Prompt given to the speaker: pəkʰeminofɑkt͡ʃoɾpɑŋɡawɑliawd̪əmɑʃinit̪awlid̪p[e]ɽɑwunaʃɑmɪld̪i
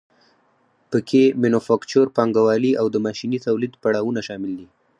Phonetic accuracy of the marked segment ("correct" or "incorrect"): incorrect